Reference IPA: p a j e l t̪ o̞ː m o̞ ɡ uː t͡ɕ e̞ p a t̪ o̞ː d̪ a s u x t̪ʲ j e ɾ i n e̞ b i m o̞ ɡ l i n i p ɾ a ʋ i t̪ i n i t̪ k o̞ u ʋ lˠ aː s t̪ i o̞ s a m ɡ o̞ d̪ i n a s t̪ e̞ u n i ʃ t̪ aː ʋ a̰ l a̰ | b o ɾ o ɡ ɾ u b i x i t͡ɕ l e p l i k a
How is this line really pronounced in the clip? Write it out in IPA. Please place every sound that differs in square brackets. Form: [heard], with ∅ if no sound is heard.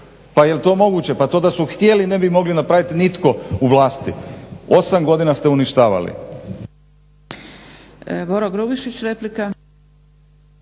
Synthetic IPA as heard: p a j e l t̪ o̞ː m o̞ ɡ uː t͡ɕ e̞ p a t̪ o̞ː d̪ a s u x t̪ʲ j e [l] i n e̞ b i m o̞ ɡ l i n [a] p ɾ a ʋ i t̪ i n i t̪ k o̞ u ʋ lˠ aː s t̪ i o̞ s a m ɡ o̞ d̪ i n a s t̪ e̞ u n i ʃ t̪ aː ʋ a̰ l [ḭ] | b o ɾ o ɡ ɾ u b i [ʃ] i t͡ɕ [ɾ] e p l i k a